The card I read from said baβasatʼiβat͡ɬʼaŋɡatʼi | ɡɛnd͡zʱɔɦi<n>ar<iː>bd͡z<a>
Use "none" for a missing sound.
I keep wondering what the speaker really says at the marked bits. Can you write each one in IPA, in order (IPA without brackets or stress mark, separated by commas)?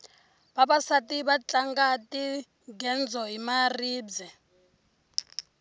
m, iː, ɛ